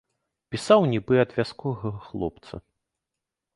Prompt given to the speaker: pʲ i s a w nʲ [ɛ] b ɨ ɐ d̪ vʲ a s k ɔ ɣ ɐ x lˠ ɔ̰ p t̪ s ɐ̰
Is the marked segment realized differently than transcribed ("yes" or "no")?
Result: yes